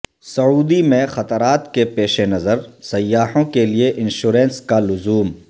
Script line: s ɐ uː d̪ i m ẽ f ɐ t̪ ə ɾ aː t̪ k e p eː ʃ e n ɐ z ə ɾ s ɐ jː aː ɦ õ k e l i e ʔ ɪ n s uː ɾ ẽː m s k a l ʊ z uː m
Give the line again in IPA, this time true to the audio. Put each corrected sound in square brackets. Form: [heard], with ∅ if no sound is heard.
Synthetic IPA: s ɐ uː d̪ i m ẽ [x] ɐ t̪ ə ɾ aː t̪ k e p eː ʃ e n ɐ z ə ɾ s ɐ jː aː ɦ õ k e l i e ʔ ɪ n [ʃ] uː ɾ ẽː [n] s k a l ʊ z uː m